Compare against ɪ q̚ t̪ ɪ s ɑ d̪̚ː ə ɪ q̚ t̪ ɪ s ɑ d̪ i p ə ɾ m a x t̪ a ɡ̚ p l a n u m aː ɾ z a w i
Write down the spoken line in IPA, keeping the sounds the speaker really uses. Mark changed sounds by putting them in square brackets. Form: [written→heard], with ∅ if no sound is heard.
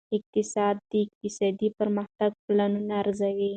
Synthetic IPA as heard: ɪ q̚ t̪ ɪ s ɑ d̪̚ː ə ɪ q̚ t̪ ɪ s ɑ d̪ i p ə ɾ m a x t̪ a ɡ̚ p l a n u [m→n] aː ɾ z a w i